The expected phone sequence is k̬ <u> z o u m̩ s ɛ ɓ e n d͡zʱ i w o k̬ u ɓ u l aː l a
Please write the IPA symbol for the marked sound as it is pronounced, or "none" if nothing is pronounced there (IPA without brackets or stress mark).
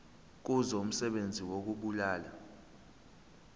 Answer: u